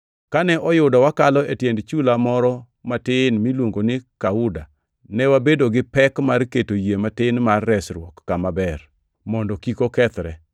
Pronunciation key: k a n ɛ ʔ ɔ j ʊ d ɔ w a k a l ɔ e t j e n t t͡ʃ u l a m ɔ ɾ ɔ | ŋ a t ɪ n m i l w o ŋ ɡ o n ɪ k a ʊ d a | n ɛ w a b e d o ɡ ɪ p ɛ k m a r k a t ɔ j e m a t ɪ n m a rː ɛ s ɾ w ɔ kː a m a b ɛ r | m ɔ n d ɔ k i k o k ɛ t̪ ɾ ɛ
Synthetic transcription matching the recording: k a n ɛ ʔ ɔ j ʊ d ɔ w a k a l ɔ e t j e n d t͡ʃ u l a m ɔ ɾ ɔ | m a t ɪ n m i l w o ŋ ɡ o n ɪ k a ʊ d a | n ɛ w a b e d o ɡ ɪ p ɛ k m a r k e t o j e m a t ɪ n m a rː ɛ s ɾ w ɔ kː a m a b ɛ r | m ɔ n d ɔ k i k o k ɛ t̪ ɾ ɛ